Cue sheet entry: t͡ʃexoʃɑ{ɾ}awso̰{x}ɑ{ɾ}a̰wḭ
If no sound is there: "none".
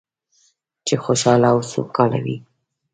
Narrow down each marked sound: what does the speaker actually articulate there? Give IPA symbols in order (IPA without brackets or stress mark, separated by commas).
l, k, l